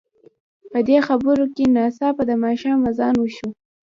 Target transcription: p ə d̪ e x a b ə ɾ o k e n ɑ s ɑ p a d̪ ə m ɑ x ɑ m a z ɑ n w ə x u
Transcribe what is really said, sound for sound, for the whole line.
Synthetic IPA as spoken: p ə d̪ e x a b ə ɾ o k e n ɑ s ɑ p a d̪ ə m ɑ ʃ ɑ m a z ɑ n w ə ʃ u